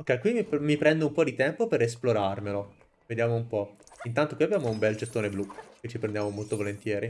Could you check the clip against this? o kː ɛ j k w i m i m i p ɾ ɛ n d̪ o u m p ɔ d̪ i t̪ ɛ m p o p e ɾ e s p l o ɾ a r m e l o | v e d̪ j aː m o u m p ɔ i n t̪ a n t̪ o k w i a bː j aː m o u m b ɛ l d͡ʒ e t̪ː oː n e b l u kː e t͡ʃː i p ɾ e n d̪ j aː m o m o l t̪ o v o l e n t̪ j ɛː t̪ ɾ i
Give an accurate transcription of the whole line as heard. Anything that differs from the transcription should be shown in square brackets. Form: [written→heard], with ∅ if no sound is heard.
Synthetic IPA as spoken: o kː ɛ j k w i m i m i p ɾ ɛ n d̪ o u m p ɔ d̪ i t̪ ɛ m p o p e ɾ e s p l o ɾ a r m e l o | v e d̪ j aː m o u m p ɔ i n t̪ a n t̪ o k w i a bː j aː m o u m b ɛ l d͡ʒ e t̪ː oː n e b l u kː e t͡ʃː i p ɾ e n d̪ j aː m o m o l t̪ o v o l e n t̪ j ɛː [t̪→∅] ɾ i